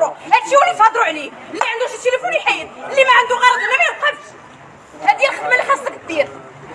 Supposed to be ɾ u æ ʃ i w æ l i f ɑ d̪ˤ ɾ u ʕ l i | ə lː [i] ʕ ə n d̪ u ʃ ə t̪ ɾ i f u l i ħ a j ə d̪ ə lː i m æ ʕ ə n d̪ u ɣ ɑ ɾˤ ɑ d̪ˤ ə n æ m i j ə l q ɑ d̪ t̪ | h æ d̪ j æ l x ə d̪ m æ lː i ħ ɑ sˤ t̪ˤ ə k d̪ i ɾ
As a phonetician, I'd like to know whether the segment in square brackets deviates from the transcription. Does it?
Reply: no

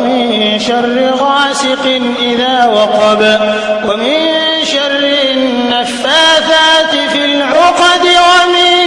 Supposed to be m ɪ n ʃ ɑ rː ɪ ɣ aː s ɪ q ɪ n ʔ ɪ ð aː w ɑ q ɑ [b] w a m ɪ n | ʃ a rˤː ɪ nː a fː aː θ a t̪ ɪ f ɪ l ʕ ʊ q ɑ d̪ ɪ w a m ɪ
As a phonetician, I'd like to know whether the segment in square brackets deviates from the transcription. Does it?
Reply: no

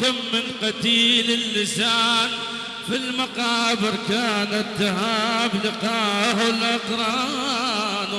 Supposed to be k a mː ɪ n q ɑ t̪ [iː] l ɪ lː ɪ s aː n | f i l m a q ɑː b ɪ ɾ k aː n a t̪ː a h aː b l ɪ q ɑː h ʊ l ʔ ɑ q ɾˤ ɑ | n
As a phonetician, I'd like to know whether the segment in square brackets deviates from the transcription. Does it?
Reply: no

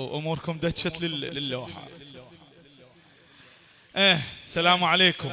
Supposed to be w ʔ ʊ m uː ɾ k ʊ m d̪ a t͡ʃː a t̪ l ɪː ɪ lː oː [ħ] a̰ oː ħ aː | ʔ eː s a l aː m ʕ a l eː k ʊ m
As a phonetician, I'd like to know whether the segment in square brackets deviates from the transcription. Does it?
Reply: no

